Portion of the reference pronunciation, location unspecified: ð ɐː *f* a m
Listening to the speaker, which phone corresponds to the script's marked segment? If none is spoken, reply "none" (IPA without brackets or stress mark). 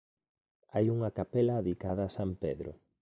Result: s